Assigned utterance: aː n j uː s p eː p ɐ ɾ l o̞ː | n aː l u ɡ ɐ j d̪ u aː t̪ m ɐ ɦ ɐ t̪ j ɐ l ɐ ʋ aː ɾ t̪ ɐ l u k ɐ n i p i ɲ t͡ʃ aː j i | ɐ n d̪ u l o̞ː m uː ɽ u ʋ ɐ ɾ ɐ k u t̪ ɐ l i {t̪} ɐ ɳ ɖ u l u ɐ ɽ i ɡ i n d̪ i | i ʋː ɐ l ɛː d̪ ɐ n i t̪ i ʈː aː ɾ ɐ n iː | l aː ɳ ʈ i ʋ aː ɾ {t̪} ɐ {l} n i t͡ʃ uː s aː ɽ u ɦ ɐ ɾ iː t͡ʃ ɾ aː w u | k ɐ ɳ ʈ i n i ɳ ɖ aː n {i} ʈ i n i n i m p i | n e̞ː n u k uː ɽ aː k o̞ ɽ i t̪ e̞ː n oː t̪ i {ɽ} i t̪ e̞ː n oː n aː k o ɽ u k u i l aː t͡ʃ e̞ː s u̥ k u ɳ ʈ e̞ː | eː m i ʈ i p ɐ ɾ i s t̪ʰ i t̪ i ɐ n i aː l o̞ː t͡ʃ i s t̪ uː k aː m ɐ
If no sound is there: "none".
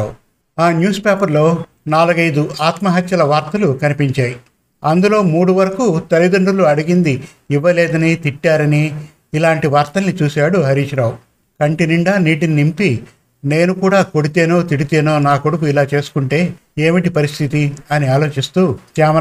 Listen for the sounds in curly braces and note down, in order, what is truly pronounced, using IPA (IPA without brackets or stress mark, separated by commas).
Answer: d̪, t̪, l, iː, ɽ